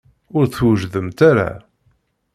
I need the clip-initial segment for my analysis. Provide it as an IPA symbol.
ʊ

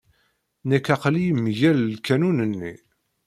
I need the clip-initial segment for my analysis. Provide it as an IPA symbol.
n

